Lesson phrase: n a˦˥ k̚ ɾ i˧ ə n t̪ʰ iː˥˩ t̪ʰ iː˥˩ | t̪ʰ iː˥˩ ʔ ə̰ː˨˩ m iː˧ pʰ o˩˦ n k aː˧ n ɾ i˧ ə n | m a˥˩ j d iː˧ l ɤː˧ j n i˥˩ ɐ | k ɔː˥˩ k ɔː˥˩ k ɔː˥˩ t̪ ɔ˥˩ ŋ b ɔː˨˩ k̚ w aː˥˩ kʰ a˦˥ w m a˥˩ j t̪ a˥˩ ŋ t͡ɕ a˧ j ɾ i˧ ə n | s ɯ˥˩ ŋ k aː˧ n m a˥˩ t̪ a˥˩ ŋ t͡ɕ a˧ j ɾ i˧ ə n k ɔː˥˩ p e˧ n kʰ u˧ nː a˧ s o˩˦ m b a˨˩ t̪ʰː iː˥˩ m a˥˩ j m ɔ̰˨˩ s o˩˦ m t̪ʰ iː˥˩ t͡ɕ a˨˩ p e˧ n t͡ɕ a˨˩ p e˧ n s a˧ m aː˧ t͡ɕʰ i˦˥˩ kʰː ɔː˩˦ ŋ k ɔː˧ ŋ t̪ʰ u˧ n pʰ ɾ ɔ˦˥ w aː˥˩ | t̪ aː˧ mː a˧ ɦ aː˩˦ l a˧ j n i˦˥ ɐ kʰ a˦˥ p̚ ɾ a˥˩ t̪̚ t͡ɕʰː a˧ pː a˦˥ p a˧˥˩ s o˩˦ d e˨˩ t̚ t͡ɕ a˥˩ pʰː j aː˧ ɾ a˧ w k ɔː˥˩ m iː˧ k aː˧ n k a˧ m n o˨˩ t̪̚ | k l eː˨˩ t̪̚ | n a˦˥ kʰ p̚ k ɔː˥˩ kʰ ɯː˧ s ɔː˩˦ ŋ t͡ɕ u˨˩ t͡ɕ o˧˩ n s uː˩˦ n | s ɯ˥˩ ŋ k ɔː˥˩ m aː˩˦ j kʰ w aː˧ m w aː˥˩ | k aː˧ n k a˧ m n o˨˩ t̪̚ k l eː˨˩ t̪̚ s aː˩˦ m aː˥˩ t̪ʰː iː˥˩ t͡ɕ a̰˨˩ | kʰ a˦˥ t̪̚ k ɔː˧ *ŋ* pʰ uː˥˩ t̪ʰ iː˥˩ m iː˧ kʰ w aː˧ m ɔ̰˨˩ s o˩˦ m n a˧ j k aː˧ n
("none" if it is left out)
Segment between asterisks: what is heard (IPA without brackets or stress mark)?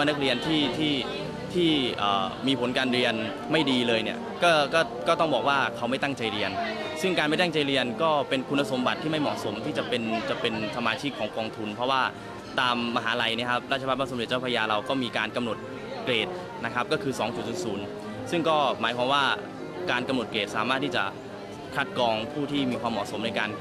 ŋ